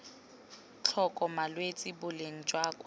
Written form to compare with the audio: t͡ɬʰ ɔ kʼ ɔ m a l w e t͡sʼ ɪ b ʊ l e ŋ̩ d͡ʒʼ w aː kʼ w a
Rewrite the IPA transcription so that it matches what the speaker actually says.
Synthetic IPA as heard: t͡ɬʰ ɔ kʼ ɔ m a l w e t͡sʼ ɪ b ʊ l e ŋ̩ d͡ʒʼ w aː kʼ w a